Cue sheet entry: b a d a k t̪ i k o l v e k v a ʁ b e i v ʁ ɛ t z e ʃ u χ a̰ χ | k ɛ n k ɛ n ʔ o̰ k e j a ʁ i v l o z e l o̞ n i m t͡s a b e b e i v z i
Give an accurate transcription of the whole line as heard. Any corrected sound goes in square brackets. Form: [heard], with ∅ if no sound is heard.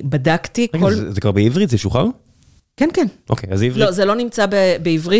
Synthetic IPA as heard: b a d a k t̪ i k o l [z] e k v a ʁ b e i v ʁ [i] t z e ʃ u χ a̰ [ʁ] | k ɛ n k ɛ n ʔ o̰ k e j a [z] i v l o z e l o̞ n i m t͡s a b e b e i v [ʁ] i